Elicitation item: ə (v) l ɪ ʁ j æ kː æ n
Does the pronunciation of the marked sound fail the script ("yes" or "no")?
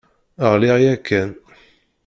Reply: yes